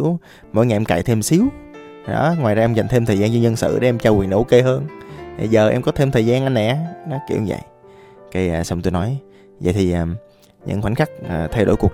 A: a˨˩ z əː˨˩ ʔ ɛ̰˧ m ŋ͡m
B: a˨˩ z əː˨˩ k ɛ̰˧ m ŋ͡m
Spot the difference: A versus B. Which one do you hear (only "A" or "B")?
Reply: A